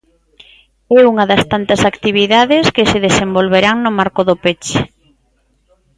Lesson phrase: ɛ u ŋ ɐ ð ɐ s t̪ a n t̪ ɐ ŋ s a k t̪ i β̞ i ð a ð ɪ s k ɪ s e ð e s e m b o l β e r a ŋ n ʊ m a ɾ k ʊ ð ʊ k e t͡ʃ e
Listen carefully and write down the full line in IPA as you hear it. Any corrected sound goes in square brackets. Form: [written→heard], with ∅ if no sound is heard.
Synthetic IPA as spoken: ɛ u ŋ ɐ ð ɐ s t̪ a n t̪ ɐ [ŋ→∅] s a k t̪ i β̞ i ð a ð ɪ s k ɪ s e ð e s e m b o l β e [r→ɾ] a ŋ n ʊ m a ɾ k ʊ ð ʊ [k→p] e t͡ʃ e